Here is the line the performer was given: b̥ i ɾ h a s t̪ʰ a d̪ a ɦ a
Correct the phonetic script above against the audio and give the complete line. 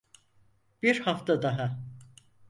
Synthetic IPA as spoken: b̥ i ɾ h a f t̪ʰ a d̪ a ɦ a